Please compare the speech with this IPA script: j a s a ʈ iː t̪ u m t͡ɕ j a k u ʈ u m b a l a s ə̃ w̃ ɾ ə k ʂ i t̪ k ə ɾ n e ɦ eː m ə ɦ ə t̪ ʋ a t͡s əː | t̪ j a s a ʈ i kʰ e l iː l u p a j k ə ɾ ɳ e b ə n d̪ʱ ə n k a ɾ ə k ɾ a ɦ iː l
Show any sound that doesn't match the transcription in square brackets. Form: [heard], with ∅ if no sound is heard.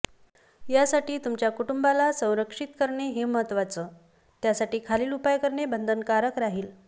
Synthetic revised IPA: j a s a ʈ iː t̪ u m t͡ɕ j a k u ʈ u m b a l a s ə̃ w̃ ɾ ə k ʂ i t̪ k ə ɾ [ɳ] e ɦ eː m ə ɦ ə t̪ ʋ a t͡s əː | t̪ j a s a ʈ [iː] kʰ [a] l iː l u p a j k ə ɾ ɳ e b ə n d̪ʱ ə n k a ɾ ə k ɾ a ɦ iː l